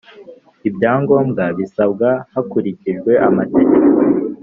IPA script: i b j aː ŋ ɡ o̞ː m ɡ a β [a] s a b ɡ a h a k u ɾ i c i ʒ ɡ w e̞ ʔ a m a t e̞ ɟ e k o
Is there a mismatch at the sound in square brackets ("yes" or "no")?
yes